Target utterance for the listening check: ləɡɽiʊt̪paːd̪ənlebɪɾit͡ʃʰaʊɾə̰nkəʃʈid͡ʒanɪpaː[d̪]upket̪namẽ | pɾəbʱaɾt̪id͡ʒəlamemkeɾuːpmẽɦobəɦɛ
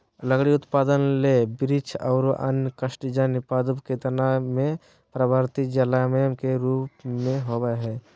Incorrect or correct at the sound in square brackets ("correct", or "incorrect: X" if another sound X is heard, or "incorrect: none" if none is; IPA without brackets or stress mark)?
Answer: correct